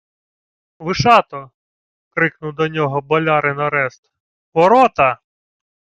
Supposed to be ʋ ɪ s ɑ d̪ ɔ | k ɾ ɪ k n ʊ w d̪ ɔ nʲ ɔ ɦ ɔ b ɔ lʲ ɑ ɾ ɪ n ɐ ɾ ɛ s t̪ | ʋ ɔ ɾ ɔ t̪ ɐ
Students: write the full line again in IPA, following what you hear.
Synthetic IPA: ʋ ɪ ʃ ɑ t̪ ɔ | k ɾ ɪ k n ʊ w d̪ ɔ nʲ ɔ ɦ ɔ b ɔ lʲ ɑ ɾ ɪ n ɐ ɾ ɛ s t̪ | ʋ ɔ ɾ ɔ t̪ ɐ